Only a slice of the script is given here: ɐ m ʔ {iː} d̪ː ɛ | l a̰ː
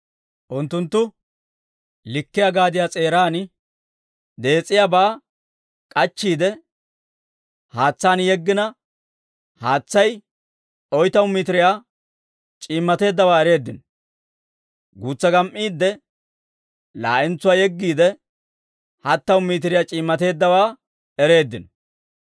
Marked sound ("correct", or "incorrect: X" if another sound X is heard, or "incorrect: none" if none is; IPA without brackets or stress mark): correct